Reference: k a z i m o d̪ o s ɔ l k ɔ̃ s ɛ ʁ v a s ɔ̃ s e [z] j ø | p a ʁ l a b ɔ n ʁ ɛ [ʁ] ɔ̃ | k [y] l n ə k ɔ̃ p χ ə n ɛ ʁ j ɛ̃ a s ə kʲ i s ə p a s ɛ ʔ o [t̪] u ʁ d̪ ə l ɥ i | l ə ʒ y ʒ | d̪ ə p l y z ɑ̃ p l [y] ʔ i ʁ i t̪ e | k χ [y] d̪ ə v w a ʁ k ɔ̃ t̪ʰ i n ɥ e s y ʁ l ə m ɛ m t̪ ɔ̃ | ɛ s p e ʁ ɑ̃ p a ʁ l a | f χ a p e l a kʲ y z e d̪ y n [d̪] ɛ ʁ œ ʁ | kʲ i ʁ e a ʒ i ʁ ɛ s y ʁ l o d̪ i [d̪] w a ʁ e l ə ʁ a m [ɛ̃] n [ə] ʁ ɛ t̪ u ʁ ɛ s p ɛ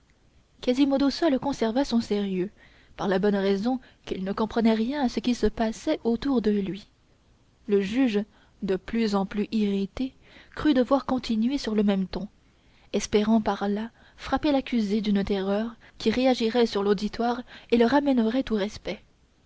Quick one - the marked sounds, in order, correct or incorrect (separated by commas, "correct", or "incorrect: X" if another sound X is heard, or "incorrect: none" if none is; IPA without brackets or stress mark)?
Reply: incorrect: ʁ, incorrect: z, incorrect: i, correct, correct, correct, incorrect: t̪, incorrect: t̪, incorrect: ɛ, correct